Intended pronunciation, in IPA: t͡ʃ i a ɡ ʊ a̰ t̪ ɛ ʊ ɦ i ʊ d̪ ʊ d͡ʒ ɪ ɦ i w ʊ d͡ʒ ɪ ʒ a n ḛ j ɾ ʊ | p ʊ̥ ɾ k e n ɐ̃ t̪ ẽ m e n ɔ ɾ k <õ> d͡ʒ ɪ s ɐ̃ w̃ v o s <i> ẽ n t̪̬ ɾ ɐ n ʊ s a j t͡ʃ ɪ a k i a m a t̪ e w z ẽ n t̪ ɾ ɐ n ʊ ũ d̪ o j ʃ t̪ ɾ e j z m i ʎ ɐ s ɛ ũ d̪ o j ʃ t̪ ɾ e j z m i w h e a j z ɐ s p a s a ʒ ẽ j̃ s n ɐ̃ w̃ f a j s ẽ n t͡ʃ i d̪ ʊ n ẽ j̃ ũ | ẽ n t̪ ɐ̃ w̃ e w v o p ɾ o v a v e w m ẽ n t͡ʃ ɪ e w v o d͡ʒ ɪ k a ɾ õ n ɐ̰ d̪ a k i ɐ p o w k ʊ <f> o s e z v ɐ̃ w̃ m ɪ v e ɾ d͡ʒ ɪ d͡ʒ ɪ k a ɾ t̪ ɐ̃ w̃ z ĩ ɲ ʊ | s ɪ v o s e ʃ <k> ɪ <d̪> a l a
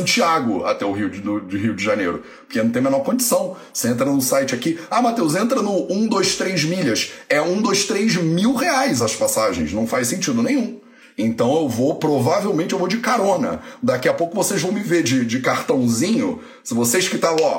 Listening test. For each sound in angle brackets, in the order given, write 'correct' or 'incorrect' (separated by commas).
correct, incorrect, incorrect, correct, incorrect